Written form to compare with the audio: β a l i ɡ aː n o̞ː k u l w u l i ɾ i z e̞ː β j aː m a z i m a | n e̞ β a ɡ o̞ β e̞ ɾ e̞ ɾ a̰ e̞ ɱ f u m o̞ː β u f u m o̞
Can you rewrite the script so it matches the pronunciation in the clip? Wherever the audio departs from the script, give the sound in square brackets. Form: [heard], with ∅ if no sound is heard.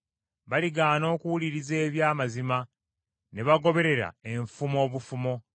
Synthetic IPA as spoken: β a l i ɡ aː n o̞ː k u [∅] w u l i ɾ i z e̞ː β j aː m a z i m a | n e̞ β a ɡ o̞ β e̞ ɾ e̞ ɾ a̰ e̞ ɱ f u m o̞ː β u f u m o̞